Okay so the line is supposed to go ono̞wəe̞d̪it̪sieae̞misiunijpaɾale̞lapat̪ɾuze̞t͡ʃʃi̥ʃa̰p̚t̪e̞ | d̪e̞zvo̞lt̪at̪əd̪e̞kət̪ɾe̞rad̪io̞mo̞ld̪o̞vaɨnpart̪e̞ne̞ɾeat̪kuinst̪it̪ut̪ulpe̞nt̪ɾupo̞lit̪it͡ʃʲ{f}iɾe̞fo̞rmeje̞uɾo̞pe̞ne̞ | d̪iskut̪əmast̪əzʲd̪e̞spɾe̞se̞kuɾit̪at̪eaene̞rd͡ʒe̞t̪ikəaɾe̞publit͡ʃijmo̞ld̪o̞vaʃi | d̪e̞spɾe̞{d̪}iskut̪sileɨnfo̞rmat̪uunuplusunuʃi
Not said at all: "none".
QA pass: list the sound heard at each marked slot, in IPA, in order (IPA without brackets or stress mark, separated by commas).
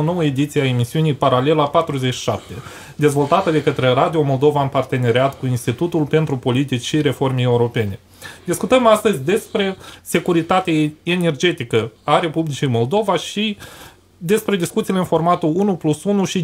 ʃ, d̪